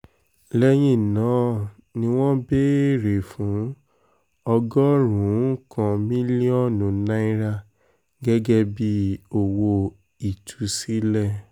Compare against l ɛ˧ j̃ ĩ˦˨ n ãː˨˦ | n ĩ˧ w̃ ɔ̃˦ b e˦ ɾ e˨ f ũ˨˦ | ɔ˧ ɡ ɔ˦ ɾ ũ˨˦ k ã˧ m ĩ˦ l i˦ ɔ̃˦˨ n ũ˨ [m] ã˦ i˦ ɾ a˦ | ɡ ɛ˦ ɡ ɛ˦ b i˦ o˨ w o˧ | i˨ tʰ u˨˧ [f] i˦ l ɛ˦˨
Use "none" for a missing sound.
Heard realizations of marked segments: n, s

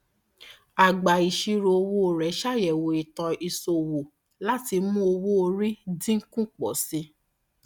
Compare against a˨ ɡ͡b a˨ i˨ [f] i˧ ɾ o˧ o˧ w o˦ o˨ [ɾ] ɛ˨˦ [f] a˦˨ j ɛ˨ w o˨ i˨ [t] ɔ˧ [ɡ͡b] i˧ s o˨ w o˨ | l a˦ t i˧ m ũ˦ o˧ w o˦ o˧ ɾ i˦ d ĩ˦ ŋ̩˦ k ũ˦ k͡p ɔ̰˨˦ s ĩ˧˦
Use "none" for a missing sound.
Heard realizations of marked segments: ʃ, ɾ, ʃ, t, none

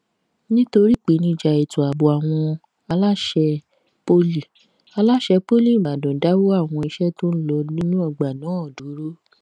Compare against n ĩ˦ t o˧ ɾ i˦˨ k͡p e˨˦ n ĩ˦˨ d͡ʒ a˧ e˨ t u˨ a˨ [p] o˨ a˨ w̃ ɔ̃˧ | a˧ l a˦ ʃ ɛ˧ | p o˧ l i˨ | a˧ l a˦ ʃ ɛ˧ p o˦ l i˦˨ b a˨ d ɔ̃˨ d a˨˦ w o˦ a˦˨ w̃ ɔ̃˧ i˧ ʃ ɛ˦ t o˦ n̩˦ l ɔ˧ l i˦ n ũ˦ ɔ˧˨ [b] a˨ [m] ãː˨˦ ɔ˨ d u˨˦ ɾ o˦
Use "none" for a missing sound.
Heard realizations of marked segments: b, ɡ͡b, n

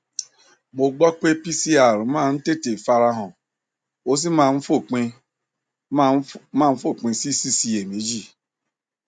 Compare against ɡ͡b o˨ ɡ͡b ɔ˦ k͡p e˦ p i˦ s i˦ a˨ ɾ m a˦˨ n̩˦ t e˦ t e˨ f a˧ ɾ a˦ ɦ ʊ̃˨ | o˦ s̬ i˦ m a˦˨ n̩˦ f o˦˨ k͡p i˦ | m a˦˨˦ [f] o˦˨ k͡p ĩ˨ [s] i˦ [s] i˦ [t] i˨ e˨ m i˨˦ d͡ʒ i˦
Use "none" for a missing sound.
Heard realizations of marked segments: f, s, s, s

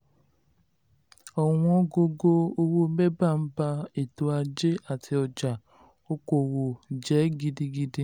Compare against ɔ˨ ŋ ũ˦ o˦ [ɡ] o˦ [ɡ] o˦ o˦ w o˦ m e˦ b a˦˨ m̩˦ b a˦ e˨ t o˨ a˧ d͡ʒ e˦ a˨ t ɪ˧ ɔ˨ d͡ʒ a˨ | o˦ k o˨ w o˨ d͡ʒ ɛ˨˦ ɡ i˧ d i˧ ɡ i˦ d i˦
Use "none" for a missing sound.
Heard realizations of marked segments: ɡ, ɡ

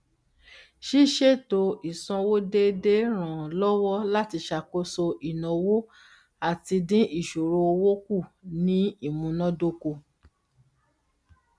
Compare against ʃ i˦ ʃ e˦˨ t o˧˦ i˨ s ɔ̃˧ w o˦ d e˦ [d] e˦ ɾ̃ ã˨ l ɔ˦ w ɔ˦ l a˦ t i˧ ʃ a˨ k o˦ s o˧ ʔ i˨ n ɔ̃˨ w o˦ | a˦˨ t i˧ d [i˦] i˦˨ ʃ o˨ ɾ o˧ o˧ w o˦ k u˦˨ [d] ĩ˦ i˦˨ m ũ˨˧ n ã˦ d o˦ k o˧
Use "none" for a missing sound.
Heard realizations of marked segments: d, ĩ˦, n

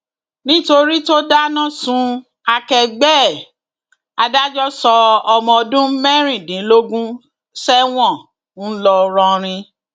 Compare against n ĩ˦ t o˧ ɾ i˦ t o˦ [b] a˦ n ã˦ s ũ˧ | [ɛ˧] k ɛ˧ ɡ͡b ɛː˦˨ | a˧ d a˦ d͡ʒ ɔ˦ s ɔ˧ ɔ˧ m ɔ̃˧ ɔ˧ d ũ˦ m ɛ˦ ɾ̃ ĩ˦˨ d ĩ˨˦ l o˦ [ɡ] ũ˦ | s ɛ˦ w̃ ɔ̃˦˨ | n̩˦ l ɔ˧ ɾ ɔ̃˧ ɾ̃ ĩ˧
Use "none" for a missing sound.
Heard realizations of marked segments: d, a˧, ɡ

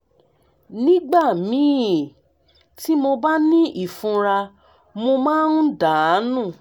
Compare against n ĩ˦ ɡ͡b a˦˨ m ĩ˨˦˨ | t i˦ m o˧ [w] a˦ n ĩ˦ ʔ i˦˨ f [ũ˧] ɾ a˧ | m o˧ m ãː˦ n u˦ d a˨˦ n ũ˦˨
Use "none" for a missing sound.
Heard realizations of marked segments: b, ũ˧

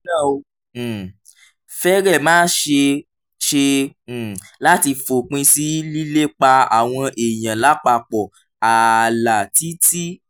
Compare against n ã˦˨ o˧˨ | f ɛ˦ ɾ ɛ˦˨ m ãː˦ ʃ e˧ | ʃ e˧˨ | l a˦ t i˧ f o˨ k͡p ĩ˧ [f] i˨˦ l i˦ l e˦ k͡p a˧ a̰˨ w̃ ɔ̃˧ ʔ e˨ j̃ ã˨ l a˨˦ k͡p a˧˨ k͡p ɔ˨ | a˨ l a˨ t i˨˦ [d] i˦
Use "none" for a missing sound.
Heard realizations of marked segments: s, t

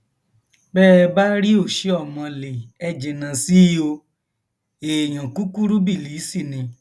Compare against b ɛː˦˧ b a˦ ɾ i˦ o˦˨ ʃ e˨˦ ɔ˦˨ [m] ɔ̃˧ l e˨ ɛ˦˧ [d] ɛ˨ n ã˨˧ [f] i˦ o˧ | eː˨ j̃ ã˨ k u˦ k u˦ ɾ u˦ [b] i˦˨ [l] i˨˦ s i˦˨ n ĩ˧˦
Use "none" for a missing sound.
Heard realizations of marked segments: m, d͡ʒ, s, b, l

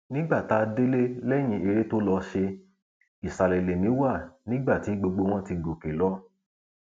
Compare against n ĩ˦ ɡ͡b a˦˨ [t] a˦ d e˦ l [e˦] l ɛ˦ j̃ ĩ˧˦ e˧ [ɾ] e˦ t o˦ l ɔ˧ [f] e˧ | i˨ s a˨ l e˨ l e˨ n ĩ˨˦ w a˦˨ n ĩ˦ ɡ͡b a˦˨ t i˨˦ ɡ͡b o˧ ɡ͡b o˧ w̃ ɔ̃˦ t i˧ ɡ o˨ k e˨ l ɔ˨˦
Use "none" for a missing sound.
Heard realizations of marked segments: t, e˦, ɾ, ʃ

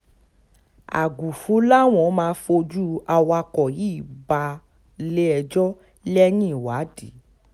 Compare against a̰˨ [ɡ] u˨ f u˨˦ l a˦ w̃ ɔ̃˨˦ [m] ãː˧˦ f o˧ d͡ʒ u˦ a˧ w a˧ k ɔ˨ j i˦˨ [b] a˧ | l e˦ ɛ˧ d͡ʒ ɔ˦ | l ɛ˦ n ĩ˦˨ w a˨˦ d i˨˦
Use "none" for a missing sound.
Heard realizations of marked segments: ɡ, m, b

